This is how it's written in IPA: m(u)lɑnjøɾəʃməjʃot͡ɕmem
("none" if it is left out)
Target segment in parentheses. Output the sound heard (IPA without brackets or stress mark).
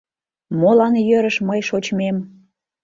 o